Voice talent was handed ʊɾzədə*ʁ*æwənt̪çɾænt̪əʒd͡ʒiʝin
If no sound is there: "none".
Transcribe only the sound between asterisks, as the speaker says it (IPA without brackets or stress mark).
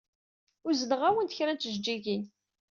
ʁ